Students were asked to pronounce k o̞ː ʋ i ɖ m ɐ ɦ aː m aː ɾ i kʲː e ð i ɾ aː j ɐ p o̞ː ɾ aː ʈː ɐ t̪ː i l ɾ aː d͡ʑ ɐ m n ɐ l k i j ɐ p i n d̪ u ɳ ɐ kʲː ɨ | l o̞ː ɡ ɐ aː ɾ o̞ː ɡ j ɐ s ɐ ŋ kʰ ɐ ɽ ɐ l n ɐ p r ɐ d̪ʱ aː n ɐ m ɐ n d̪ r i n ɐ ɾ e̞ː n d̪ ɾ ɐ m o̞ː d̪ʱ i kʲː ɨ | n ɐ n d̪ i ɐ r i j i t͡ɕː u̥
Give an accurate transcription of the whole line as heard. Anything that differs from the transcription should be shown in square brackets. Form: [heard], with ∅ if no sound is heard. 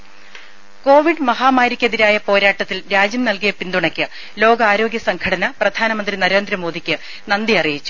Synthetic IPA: k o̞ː ʋ i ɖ m ɐ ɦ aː m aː ɾ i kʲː e ð i ɾ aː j ɐ p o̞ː ɾ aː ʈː ɐ t̪ː i l ɾ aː d͡ʑ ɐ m n ɐ l k i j ɐ p i n d̪ u ɳ ɐ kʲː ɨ | l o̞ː ɡ ɐ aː ɾ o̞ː ɡ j ɐ s ɐ ŋ kʰ ɐ ɽ ɐ [∅] n ɐ p r ɐ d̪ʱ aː n ɐ m ɐ n d̪ r i n ɐ ɾ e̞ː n d̪ ɾ ɐ m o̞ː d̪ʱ i kʲː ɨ | n ɐ n d̪ i ɐ r i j i t͡ɕː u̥